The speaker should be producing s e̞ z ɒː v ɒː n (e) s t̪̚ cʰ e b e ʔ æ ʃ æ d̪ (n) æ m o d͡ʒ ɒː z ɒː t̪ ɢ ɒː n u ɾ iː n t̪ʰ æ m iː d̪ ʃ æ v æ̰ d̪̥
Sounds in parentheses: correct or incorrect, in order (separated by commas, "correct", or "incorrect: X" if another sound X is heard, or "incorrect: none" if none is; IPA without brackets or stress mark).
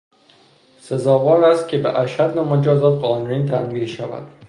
incorrect: æ, correct